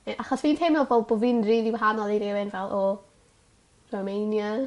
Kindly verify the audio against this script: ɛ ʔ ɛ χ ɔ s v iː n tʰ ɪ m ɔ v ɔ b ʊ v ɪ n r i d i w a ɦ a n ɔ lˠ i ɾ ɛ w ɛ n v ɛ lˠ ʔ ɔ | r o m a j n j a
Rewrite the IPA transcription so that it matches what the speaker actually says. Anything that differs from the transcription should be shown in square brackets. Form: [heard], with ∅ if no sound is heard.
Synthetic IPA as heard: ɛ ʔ [a] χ ɔ s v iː n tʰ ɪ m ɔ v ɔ b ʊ v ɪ n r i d i w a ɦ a n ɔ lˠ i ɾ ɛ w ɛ n v ɛ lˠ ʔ ɔ | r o m [e] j n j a